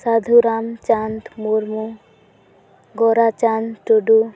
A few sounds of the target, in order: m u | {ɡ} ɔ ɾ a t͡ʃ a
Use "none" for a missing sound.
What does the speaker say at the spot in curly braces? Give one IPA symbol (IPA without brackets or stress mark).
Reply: ɡ